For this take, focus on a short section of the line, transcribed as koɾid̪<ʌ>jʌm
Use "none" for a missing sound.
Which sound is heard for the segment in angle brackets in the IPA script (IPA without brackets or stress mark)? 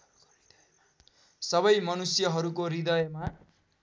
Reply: ʌ